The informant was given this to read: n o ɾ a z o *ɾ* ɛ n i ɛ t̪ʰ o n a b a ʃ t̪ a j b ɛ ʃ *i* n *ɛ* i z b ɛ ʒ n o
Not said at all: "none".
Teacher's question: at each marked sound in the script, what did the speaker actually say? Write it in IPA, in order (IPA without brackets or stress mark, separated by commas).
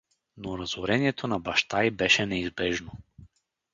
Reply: ɾ, ɛ, ɛ